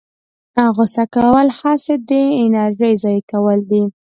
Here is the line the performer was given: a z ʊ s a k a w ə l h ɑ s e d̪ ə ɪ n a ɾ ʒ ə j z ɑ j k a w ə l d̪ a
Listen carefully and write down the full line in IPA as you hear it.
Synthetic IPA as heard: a ɣ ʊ s a k a w ə l h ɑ s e d̪ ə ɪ n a ɾ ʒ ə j z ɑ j k a w ə l d̪ i